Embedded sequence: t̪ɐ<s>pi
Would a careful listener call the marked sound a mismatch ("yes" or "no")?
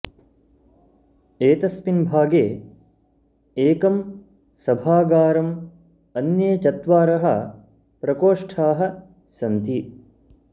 no